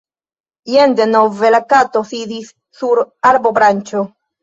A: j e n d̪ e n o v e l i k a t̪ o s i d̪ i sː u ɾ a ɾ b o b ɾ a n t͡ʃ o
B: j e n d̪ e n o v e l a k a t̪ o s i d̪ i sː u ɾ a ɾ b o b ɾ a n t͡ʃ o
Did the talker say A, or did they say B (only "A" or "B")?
B